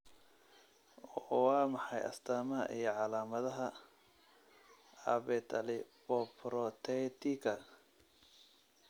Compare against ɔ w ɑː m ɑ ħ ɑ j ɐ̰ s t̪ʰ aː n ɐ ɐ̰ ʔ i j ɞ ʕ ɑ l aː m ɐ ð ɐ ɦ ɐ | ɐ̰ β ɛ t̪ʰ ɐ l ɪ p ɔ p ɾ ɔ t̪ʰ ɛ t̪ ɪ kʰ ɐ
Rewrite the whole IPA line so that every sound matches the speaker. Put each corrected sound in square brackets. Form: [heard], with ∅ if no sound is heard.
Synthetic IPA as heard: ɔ w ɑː m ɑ ħ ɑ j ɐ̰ s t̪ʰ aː [m] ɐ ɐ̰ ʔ i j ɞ ʕ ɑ l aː m ɐ ð ɐ ɦ ɐ | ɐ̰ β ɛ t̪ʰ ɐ l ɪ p ɔ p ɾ ɔ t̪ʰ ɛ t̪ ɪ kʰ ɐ